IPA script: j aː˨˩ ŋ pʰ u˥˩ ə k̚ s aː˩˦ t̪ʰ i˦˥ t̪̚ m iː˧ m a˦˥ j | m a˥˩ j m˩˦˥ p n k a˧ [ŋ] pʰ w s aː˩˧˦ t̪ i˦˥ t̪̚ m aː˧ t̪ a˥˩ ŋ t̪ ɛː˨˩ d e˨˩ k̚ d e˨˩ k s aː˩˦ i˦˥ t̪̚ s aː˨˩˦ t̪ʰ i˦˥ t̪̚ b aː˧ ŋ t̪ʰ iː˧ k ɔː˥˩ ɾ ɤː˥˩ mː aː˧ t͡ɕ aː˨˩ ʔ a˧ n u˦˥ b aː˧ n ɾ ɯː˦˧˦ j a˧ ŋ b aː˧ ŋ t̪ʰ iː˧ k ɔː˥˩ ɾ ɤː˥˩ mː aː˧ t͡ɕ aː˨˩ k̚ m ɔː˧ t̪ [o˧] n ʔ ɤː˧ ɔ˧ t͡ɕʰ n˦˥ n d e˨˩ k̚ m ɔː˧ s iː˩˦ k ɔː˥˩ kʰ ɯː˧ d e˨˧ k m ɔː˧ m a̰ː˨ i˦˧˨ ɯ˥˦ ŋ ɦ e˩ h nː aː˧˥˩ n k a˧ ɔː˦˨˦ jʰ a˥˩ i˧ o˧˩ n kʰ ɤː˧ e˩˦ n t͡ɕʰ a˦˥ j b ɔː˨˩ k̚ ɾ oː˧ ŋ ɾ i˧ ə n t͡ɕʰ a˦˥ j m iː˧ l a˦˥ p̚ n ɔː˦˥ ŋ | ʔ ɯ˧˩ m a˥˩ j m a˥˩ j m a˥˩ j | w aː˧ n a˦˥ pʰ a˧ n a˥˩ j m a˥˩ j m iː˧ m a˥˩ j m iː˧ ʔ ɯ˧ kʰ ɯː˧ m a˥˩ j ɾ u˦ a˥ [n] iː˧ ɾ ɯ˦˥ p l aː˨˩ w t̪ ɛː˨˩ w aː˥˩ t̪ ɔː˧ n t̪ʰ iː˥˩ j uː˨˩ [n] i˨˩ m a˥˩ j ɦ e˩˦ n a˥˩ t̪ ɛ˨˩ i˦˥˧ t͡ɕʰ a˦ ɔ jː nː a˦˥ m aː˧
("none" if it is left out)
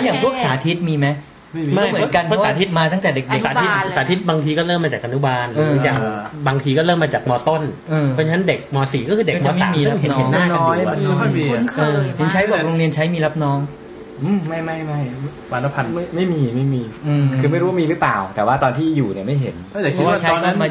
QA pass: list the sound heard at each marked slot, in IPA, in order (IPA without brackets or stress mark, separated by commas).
n, o˥˩, m, n